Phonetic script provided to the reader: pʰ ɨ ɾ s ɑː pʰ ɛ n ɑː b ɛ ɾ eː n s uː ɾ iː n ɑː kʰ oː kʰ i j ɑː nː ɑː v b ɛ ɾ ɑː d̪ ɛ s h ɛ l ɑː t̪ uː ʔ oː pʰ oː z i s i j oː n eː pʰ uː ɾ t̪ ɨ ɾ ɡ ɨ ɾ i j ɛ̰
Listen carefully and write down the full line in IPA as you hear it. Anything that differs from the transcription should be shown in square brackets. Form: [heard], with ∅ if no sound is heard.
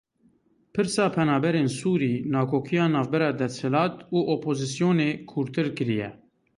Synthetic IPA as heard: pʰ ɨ ɾ s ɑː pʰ ɛ n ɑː b ɛ ɾ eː n s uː ɾ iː n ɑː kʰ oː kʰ i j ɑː [n] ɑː v b ɛ ɾ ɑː d̪ ɛ s h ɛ l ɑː t̪ uː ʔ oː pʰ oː z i s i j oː n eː [kʰ] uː ɾ t̪ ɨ ɾ [k] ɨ ɾ i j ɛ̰